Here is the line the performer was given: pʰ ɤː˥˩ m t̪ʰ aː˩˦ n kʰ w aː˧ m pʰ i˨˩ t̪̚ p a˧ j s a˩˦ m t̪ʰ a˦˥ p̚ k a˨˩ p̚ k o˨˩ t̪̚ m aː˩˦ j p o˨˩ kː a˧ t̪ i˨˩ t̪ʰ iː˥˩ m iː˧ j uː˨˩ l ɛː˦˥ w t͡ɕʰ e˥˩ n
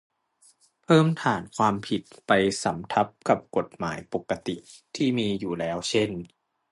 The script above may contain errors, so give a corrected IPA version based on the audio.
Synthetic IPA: pʰ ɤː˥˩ m t̪ʰ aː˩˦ n kʰ w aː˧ m pʰ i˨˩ t̪̚ p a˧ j s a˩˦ m t̪ʰ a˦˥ p̚ k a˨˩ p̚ k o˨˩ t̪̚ m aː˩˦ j p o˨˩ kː a˧ t̪ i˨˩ t̪ʰ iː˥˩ m iː˧ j uː˨˩ l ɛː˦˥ w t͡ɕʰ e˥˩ n